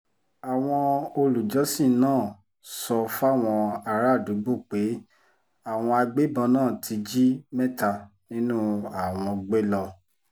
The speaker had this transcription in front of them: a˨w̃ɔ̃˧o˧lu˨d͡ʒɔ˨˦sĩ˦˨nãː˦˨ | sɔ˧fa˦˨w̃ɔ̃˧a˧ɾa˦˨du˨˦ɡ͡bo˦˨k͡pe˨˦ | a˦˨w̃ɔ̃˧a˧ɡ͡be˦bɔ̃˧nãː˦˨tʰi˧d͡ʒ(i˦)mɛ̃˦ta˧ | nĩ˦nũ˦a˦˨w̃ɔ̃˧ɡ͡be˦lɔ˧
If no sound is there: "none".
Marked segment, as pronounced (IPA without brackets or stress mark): i˦